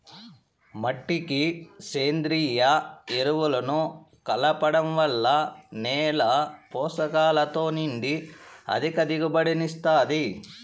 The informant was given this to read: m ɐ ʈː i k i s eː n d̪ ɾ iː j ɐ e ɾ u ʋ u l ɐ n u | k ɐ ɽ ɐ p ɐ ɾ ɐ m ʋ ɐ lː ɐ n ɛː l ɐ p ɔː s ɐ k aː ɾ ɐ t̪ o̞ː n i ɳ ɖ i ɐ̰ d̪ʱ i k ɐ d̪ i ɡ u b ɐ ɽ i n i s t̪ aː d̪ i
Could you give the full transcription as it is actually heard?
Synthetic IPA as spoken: m ɐ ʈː i k i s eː n d̪ ɾ iː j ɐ e ɾ u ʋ u l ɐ n u | k ɐ l ɐ p ɐ ɽ ɐ m ʋ ɐ lː ɐ n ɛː l ɐ p ɔː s ɐ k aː l ɐ t̪ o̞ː n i ɳ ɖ i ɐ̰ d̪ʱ i k ɐ d̪ i ɡ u b ɐ ɽ i n i s t̪ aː d̪ i